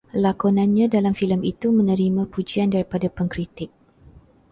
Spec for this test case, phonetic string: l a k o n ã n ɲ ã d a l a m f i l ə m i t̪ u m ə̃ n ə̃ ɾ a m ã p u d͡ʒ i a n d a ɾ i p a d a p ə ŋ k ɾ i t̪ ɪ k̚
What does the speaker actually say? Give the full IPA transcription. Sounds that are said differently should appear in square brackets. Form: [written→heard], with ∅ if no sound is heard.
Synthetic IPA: l a k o n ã n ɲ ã d a l a m f i l ə m i t̪ u m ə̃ n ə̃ ɾ [a→i] m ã p u d͡ʒ i a n d a ɾ i p a d a p ə ŋ k ɾ i t̪ ɪ k̚